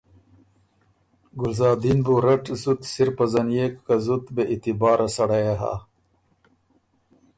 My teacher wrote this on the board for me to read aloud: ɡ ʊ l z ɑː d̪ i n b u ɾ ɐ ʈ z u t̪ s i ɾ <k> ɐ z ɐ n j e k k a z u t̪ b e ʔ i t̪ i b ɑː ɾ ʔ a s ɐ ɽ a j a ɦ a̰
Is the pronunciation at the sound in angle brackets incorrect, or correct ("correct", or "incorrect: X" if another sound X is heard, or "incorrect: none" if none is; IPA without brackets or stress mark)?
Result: incorrect: p